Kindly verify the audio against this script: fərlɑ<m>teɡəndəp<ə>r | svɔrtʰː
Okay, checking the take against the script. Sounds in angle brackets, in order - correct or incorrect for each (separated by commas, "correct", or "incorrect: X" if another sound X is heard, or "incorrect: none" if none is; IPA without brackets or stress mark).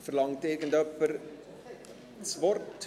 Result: incorrect: ŋ, correct